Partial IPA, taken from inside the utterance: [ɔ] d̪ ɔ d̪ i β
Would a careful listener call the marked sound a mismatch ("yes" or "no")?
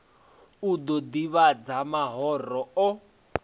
yes